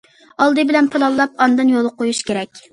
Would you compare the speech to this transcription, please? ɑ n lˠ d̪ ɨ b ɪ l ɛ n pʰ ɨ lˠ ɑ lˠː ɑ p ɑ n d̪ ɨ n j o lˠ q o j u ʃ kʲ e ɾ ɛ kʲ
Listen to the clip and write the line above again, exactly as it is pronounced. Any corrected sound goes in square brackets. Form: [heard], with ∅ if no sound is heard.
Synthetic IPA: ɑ [∅] lˠ d̪ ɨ b ɪ l ɛ n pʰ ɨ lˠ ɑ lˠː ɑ p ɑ n d̪ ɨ n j o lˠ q o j u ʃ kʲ e ɾ ɛ kʲ